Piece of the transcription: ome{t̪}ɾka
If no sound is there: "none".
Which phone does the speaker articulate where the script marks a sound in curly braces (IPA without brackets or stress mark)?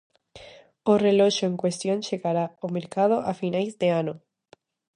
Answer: none